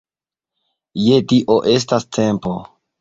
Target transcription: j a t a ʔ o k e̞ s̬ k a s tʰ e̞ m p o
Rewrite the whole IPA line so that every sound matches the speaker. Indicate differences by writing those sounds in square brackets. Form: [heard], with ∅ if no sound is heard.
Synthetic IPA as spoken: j [e] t [i] ʔ o [ʔ] e̞ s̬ [t] a s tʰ e̞ m p o